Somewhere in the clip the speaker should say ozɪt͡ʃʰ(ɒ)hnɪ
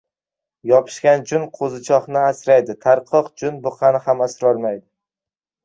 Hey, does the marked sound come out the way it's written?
yes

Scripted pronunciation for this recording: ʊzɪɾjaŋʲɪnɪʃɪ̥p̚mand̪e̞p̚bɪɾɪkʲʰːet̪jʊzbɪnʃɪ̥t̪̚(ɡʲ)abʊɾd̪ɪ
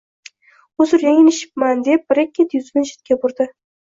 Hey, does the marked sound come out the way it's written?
no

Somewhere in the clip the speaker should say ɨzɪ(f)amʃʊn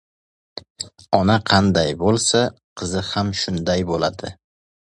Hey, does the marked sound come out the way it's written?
no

